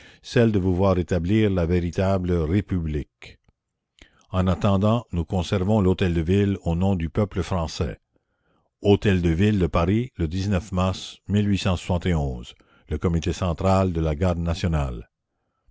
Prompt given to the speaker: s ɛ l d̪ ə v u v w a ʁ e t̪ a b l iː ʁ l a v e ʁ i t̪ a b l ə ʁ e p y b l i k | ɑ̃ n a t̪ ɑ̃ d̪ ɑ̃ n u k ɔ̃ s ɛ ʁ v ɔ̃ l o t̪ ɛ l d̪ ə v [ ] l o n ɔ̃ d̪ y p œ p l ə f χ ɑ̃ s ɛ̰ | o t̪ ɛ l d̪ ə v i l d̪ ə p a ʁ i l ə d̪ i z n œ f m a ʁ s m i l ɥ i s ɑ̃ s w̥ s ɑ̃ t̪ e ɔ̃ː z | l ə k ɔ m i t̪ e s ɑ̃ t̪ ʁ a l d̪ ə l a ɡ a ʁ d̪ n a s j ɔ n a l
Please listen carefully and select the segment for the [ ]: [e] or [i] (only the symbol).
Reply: i